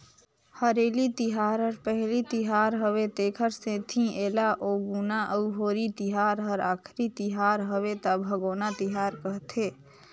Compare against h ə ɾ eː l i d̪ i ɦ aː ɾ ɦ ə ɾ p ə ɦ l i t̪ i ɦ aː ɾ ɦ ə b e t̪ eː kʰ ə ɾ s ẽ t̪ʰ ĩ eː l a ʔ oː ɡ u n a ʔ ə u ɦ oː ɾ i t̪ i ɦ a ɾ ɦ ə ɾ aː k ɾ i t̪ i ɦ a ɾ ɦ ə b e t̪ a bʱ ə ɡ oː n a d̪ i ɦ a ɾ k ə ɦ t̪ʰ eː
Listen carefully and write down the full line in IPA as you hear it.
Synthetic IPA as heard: h ə ɾ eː l i t̪ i ɦ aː ɾ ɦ ə ɾ p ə ɦ l i t̪ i ɦ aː ɾ ɦ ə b e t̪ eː kʰ ə ɾ s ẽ t̪ʰ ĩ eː l a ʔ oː ɡ u n a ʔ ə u ɦ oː ɾ i t̪ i ɦ a ɾ ɦ ə ɾ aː kʰ ɾ i t̪ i ɦ a ɾ ɦ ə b e t̪ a bʱ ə ɡ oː n a t̪ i ɦ a ɾ k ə ɦ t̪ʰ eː